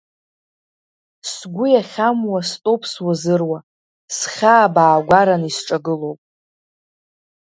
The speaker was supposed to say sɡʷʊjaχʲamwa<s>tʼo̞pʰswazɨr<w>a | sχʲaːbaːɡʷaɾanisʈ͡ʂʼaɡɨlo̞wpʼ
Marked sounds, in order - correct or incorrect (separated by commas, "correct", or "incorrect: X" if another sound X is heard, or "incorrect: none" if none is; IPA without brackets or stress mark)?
correct, correct